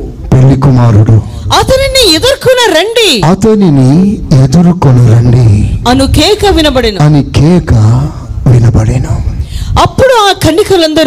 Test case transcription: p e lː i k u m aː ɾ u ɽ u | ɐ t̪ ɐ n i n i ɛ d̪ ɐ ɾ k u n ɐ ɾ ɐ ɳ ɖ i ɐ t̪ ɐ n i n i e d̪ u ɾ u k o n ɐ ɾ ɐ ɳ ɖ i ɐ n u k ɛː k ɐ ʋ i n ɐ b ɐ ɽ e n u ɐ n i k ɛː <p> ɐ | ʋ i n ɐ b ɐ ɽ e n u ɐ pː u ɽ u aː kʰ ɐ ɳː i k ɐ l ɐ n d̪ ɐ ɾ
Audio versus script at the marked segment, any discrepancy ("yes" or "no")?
yes